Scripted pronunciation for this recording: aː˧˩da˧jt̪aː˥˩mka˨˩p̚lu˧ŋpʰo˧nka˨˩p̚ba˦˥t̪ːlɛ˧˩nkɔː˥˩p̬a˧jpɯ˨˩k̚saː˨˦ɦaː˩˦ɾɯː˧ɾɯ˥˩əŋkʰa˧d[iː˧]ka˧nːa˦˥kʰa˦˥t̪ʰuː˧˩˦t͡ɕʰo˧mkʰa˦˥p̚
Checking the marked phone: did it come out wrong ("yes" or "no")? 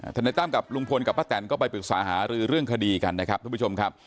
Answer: no